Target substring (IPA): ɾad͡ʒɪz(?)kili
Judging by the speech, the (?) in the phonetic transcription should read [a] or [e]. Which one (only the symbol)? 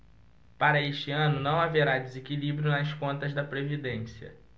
e